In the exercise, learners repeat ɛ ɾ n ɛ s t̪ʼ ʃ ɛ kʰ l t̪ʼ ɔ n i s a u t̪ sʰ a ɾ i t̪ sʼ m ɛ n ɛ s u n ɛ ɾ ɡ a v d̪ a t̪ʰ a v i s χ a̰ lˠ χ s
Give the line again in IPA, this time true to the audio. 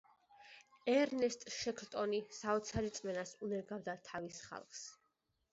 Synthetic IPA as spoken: ɛ ɾ n ɛ s t̪ʼ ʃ ɛ kʰ l t̪ʼ ɔ n i s a ɔ t̪ sʰ a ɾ i t̪ sʼ m ɛ n a s u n ɛ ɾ ɡ a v d̪ a t̪ʰ a v i s χ a̰ lˠ χ s